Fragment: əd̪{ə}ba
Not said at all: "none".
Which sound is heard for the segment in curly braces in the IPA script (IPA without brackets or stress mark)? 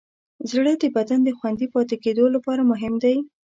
ə